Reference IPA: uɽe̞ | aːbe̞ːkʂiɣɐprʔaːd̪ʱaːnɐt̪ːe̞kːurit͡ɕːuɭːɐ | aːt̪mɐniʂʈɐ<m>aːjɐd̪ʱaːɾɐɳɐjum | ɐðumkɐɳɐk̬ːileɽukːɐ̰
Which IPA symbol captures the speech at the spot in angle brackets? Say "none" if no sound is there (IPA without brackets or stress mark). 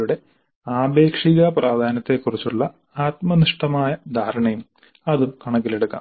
m